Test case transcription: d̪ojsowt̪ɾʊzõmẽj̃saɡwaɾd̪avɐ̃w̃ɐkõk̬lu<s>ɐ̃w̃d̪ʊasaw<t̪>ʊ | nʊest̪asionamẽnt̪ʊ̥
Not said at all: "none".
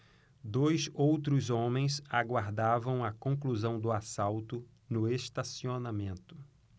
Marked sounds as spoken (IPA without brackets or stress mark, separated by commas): z, t̪